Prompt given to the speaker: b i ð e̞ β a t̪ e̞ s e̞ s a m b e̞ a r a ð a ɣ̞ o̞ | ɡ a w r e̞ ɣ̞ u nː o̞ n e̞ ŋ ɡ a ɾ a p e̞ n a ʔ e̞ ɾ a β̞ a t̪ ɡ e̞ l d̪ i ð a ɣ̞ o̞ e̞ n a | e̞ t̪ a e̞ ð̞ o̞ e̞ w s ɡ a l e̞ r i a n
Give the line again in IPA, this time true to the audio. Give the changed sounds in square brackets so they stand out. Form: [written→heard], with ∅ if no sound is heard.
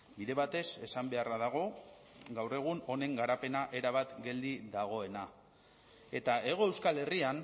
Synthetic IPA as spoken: b i ð e̞ β a t̪ e̞ s e̞ s a m b e̞ a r a ð a ɣ̞ o̞ | ɡ a w r e̞ ɣ̞ u [nː→n] o̞ n e̞ ŋ ɡ a ɾ a p e̞ n a ʔ e̞ ɾ a β̞ a t̪ ɡ e̞ l d̪ i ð a ɣ̞ o̞ e̞ n a | e̞ t̪ a e̞ [ð̞→ɣ̞] o̞ e̞ w s [ɡ→k] a l e̞ r i a n